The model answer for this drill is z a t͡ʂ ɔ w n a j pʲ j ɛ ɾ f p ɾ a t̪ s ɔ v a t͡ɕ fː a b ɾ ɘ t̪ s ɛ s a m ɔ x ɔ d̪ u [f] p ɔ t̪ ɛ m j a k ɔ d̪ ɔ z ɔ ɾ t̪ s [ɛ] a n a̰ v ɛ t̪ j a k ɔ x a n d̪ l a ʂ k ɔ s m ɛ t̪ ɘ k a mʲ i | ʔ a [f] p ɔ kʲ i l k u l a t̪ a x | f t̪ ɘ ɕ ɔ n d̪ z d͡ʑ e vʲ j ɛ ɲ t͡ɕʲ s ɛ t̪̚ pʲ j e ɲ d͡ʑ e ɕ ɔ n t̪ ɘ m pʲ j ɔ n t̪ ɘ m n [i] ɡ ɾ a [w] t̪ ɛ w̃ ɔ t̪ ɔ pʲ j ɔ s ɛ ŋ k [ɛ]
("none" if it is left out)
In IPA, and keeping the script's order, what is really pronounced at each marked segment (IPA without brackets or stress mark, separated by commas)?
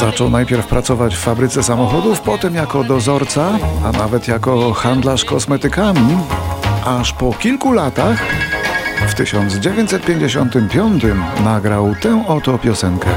f, a, ʂ, a, w, ɛ